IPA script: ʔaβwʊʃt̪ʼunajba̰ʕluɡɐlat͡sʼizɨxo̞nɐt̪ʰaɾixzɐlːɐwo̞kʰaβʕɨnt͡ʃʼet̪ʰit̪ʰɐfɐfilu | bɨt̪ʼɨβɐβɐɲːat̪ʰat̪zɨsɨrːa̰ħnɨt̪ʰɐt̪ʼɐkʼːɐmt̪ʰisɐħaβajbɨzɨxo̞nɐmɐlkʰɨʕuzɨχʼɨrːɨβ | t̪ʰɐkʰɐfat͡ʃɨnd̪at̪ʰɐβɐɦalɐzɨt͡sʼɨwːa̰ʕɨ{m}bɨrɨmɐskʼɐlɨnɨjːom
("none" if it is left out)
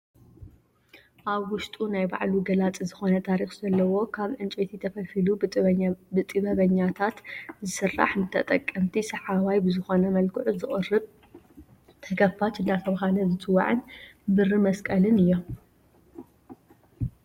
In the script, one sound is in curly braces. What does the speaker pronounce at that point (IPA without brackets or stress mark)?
n